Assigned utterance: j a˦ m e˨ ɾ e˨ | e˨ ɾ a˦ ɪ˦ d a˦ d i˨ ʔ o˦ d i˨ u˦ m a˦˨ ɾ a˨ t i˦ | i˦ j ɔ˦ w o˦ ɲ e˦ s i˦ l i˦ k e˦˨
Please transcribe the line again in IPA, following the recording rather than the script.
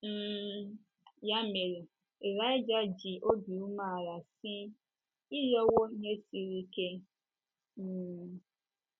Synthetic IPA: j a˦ m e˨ ɾ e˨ | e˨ ɾ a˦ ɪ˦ d͡ʒ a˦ d͡ʒ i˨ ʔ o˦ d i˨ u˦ m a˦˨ ɾ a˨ s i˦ | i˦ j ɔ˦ w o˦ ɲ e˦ s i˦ ɾ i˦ k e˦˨